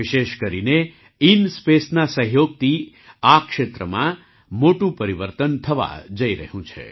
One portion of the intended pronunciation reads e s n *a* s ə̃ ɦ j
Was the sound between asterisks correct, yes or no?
yes